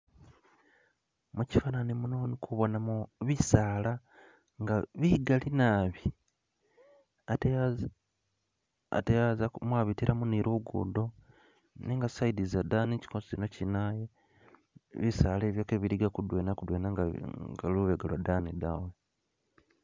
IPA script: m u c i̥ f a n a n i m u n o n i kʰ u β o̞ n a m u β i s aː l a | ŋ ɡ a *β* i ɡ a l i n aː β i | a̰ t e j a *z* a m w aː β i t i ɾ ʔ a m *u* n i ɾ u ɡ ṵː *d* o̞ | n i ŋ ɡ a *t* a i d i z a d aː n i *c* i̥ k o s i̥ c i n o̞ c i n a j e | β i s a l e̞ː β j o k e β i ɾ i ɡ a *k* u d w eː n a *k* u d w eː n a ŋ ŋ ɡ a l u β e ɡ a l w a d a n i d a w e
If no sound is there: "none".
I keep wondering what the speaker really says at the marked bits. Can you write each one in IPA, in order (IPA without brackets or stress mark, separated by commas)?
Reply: β, z, u, d, s, c, k, k